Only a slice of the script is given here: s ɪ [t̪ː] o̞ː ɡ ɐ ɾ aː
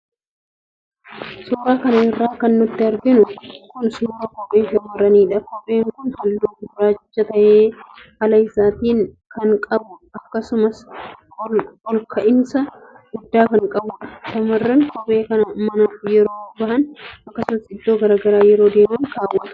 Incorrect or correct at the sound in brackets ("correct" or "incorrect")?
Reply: incorrect